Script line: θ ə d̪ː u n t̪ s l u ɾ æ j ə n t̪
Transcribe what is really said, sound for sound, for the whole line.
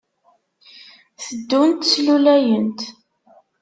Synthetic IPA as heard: θ ə d̪ː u n t̪ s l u l æ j ə n t̪